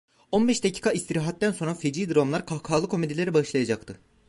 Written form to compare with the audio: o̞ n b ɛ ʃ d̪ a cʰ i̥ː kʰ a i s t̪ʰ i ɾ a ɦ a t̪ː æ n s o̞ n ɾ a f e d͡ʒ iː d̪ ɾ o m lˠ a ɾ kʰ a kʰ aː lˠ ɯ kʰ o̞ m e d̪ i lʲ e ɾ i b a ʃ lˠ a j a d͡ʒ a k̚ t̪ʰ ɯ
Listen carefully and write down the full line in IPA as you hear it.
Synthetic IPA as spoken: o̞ n b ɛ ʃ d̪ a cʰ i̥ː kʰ a i s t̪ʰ i ɾ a ɦ a t̪ː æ n s o̞ n ɾ a f e d͡ʒ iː d̪ ɾ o m lˠ a ɾ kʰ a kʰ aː lˠ ɯ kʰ o̞ m e d̪ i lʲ e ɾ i b a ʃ lˠ a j a d͡ʒ a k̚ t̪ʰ ɯ